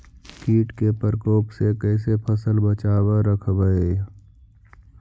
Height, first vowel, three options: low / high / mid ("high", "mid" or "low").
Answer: high